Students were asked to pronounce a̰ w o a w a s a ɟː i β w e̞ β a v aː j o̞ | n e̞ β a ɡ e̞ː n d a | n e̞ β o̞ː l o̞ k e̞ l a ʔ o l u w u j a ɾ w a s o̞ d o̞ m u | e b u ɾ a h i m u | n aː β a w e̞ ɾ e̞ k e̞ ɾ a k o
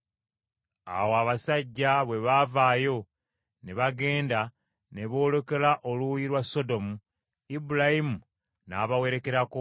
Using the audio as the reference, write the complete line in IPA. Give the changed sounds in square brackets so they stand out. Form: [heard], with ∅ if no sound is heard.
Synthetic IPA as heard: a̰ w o a [β] a s a ɟː [a] β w e̞ β a v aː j o̞ | n e̞ β a ɡ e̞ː n d a | n e̞ β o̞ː l o̞ k e̞ l a ʔ o l u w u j [i] ɾ w a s o̞ d o̞ m u | [i] b u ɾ a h i m u | n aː β a w e̞ ɾ e̞ k e̞ ɾ a k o